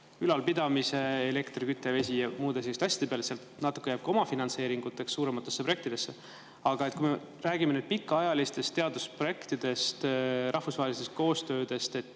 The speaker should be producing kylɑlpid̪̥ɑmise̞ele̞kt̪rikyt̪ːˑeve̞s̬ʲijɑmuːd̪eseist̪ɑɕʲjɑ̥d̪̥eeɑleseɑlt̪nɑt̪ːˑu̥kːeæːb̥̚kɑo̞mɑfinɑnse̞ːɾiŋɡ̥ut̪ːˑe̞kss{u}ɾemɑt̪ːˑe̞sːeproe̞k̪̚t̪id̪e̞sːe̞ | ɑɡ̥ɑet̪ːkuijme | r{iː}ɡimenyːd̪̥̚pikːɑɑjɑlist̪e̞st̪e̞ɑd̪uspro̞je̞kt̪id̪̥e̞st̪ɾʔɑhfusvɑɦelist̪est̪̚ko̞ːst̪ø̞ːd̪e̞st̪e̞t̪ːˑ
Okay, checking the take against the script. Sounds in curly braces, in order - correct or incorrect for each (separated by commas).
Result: incorrect, incorrect